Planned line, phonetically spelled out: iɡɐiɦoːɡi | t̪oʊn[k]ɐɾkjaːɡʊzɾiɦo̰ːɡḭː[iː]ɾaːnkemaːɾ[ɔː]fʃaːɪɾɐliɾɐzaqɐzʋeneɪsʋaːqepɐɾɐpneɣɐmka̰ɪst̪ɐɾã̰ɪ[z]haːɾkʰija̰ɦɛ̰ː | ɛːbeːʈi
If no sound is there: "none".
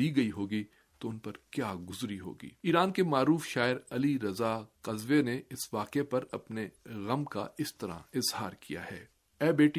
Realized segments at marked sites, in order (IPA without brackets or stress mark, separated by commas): p, iː, uː, z